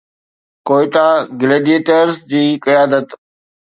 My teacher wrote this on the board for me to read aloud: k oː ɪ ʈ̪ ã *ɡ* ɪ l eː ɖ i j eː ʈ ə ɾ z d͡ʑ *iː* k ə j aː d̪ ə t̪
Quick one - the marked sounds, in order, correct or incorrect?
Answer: correct, correct

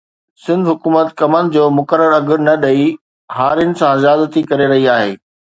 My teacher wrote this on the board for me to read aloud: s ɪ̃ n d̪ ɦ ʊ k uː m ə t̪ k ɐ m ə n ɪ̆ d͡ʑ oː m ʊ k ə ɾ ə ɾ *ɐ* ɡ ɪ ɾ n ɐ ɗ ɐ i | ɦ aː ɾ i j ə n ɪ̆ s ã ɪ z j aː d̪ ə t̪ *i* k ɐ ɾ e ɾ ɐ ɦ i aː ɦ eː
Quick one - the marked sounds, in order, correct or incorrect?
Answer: correct, correct

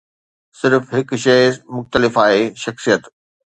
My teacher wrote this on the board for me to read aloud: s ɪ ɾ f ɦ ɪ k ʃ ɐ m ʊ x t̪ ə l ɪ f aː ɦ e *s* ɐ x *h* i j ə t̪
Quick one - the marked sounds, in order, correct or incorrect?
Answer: incorrect: ʃ, incorrect: s

